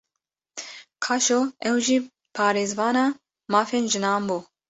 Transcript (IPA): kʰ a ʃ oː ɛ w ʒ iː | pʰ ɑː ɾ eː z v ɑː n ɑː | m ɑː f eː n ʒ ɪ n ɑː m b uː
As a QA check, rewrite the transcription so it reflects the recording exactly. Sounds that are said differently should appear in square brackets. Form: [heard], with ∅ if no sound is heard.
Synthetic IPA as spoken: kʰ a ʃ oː ɛ w ʒ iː | pʰ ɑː ɾ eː z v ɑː n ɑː | m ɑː f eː n ʒ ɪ n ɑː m b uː